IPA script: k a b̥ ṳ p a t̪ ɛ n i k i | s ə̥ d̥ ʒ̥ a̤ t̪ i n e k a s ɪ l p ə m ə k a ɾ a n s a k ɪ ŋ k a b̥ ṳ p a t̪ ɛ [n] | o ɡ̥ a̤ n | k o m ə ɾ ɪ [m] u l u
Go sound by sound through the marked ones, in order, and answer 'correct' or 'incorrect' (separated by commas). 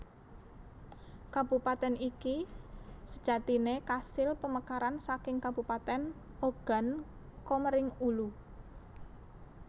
correct, incorrect